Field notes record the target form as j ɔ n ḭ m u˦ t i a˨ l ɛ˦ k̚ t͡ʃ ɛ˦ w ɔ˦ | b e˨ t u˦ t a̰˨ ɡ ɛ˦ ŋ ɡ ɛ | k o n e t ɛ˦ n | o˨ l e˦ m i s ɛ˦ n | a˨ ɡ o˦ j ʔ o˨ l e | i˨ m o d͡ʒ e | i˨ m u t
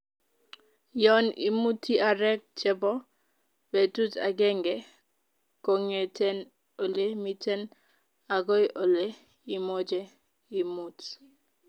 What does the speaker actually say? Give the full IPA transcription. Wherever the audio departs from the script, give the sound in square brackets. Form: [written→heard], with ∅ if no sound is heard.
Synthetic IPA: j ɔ n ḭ m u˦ t i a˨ [l→ɾ] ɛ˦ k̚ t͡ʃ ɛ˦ [w→b] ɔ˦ | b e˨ t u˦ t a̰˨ ɡ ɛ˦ ŋ ɡ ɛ | k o [n→ŋ] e t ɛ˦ n | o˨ l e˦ m i [s→t] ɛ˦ n | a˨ ɡ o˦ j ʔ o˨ l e | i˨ m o d͡ʒ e | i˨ m u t